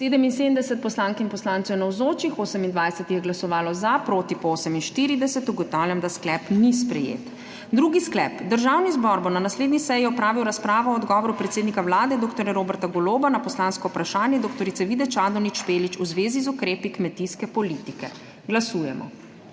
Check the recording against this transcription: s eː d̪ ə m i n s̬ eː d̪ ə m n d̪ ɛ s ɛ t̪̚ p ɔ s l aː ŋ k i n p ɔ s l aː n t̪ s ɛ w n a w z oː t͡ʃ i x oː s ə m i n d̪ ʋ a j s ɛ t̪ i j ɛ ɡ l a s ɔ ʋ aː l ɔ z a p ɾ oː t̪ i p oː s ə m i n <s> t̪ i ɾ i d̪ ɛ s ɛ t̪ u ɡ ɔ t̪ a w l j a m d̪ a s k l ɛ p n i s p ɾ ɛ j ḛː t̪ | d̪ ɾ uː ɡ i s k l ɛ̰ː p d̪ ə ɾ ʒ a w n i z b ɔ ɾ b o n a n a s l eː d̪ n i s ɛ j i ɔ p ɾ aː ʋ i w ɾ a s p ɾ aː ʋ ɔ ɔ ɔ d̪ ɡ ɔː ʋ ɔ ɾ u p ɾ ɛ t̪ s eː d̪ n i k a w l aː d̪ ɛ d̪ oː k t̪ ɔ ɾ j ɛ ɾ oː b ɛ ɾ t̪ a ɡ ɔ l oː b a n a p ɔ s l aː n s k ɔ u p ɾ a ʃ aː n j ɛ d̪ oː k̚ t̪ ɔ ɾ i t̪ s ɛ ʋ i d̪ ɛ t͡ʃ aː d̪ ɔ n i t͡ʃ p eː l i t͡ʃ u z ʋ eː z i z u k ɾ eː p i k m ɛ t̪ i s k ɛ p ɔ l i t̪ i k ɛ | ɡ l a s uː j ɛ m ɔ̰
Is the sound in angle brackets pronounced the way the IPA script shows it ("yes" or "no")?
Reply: no